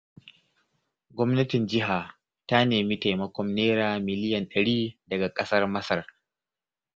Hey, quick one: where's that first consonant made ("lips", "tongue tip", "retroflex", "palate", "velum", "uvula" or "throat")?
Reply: velum